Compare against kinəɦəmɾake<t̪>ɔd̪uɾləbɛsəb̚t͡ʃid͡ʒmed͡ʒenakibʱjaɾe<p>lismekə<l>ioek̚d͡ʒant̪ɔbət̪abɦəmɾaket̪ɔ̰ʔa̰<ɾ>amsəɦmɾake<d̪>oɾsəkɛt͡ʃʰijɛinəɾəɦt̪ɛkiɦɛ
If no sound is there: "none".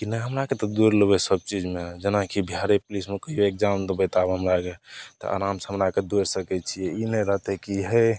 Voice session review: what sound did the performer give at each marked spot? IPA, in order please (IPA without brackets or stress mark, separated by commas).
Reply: t̪, p, none, ɾ, d̪